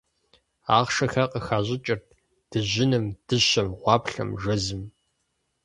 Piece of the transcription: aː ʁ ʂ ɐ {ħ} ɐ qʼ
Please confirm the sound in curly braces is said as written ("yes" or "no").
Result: no